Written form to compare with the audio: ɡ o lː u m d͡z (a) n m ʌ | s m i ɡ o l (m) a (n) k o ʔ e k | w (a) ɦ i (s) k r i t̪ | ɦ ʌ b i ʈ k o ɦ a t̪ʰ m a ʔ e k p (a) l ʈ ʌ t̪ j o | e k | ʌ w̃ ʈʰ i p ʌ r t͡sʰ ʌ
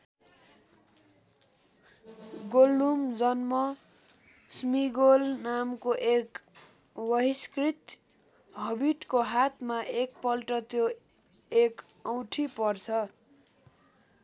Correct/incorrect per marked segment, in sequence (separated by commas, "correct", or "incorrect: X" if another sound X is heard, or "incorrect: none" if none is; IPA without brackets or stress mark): incorrect: ʌ, incorrect: n, incorrect: m, incorrect: ʌ, correct, incorrect: ʌ